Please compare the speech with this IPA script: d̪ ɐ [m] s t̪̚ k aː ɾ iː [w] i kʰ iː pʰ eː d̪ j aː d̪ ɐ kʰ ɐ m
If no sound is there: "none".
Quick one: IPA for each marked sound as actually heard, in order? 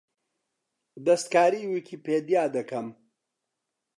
none, w

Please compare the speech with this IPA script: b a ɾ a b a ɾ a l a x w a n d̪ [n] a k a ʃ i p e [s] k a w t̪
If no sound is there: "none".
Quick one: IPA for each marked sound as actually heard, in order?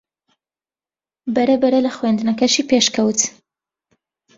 n, ʃ

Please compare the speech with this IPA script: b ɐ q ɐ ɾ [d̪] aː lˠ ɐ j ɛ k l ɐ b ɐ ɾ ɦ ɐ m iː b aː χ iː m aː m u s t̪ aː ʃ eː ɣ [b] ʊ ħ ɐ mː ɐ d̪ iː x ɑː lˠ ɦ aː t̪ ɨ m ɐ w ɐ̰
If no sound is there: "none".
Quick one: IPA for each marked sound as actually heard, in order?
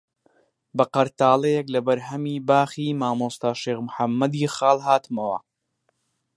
t̪, m

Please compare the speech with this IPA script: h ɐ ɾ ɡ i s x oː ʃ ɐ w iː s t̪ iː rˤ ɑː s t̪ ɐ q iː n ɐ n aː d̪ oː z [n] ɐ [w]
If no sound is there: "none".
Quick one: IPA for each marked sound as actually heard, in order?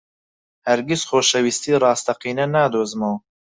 m, w

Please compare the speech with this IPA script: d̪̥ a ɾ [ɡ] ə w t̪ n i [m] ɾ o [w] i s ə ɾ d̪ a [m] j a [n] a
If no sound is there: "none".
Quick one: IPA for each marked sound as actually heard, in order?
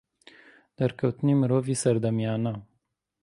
k, m, v, m, n

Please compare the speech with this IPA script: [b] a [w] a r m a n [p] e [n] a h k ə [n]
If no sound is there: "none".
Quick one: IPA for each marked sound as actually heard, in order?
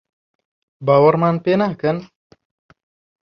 b, w, p, n, n

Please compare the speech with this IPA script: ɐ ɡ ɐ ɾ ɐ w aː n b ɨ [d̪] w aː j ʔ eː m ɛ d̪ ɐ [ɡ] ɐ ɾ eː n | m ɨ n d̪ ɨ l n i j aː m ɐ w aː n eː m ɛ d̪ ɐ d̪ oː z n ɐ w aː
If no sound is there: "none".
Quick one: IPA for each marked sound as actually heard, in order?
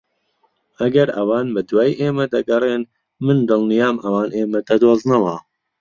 d̪, ɡ

